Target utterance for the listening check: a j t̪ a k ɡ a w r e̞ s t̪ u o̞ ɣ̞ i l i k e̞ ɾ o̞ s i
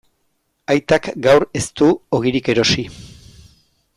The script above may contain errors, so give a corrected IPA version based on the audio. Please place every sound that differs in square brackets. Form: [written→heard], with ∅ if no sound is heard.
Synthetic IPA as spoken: a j t̪ a k ɡ a w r e̞ s t̪ u o̞ ɣ̞ i [l→ɾ] i k e̞ ɾ o̞ s i